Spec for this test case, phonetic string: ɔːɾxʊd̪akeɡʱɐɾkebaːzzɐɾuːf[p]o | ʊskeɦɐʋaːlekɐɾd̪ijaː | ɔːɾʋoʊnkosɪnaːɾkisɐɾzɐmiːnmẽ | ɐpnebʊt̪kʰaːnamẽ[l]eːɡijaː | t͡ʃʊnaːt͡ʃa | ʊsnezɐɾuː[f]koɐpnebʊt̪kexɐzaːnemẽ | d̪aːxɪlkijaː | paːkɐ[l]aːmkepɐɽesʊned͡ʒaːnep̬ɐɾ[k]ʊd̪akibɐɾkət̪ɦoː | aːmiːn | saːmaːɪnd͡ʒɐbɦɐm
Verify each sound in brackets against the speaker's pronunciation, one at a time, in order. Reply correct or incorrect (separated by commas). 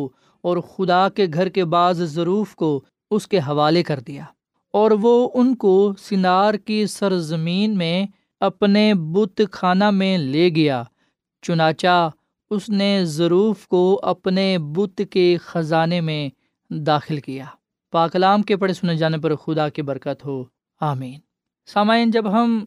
incorrect, correct, correct, correct, incorrect